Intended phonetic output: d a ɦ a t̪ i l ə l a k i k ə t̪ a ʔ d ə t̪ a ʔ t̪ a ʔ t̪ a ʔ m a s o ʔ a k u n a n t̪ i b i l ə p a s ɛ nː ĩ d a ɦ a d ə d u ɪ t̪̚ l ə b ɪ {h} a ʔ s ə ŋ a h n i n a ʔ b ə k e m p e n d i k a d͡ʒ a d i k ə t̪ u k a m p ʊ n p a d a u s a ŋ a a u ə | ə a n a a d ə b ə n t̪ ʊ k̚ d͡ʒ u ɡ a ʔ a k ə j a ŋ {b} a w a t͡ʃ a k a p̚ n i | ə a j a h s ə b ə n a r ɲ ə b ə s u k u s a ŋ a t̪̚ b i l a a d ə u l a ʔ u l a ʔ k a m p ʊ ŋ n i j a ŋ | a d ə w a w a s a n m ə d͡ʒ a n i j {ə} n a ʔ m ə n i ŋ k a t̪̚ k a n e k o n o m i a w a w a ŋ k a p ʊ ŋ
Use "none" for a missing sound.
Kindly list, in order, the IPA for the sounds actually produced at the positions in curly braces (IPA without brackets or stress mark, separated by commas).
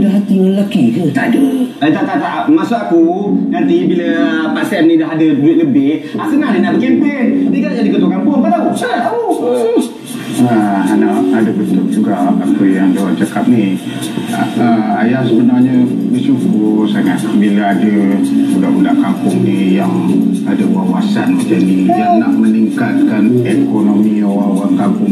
h, d, a